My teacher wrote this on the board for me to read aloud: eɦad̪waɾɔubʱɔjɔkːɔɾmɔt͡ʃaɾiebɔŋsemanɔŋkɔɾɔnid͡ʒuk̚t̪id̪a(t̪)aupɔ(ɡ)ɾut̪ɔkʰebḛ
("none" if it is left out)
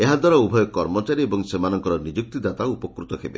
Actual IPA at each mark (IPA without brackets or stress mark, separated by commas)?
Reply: t̪, k